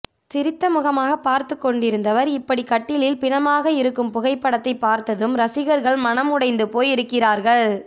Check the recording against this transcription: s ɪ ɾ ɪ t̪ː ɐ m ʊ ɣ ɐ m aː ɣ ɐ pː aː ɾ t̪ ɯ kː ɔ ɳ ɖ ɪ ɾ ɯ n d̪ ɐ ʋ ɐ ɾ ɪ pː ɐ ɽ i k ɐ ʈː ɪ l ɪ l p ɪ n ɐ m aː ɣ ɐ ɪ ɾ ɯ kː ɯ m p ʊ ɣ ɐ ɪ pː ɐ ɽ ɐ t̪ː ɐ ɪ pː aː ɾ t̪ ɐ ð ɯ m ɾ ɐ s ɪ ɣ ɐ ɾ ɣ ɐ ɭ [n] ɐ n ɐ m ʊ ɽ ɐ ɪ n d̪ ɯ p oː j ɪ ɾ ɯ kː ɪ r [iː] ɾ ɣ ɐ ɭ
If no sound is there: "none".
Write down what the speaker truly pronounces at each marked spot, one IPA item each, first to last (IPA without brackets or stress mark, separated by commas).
m, aː